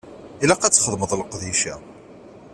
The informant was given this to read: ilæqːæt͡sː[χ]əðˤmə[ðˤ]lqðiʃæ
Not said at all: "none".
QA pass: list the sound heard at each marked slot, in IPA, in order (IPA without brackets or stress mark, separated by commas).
χ, ðˤ